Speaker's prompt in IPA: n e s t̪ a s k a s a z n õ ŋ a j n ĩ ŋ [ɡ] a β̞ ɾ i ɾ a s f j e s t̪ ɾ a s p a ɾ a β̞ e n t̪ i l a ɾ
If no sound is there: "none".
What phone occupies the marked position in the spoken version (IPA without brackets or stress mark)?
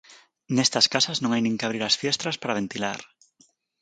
k